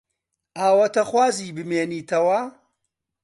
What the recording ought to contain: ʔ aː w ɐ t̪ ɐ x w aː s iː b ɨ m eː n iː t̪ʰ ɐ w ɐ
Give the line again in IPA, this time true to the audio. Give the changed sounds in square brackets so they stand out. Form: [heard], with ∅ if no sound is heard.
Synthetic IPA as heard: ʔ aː w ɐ t̪ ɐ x w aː [z] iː b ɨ m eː n iː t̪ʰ ɐ w ɐ